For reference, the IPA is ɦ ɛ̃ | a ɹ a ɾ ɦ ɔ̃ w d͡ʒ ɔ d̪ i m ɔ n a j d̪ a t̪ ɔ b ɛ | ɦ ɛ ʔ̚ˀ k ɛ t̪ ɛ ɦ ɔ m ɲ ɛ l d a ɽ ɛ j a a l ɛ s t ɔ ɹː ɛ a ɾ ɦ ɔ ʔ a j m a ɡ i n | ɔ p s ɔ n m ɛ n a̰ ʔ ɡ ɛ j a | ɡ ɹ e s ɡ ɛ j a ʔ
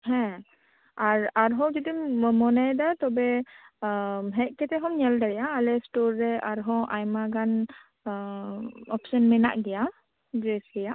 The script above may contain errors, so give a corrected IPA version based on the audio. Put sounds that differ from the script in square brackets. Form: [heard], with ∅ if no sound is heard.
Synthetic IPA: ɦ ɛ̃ | a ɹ a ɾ ɦ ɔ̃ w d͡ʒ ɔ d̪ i m ɔ n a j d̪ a t̪ ɔ b ɛ | ɦ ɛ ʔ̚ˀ k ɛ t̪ ɛ ɦ ɔ m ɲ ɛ l d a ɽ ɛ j a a l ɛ s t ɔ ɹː ɛ a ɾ ɦ ɔ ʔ a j m a ɡ [a] n | ɔ p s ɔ n m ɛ n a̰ ʔ ɡ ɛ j a | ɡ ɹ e s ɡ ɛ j a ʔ